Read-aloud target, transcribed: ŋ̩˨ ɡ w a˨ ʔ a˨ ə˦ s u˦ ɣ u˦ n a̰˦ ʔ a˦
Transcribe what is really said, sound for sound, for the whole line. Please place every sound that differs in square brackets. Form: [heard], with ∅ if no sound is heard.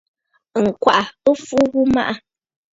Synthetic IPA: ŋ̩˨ [k] w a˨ ʔ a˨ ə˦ [f] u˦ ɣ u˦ [m] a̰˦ ʔ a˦